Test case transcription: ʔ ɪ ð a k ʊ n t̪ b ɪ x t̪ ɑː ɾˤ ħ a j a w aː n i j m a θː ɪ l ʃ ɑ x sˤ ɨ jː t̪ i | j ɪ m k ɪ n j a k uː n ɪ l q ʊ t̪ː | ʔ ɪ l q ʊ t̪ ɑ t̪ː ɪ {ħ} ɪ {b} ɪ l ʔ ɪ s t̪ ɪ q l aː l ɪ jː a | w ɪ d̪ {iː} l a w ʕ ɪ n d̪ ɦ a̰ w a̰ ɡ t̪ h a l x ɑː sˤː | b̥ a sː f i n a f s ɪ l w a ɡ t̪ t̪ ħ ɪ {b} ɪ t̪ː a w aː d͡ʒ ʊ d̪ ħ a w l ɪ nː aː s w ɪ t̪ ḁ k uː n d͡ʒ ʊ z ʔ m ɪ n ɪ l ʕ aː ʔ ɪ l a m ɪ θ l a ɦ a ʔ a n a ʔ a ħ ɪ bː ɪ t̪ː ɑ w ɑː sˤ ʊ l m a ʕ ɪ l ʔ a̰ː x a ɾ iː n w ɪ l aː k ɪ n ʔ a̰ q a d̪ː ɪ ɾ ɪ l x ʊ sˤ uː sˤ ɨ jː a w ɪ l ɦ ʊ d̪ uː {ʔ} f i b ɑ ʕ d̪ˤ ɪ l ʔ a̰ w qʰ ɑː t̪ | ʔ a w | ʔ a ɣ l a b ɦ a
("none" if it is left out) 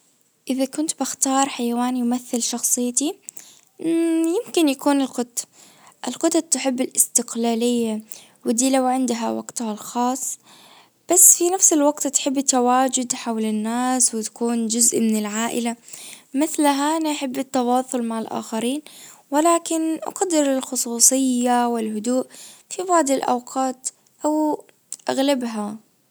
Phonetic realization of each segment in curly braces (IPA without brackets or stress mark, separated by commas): ħ, bː, iː, bː, ʔ